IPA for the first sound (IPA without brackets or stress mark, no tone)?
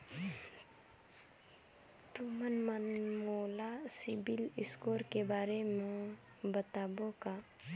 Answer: t̪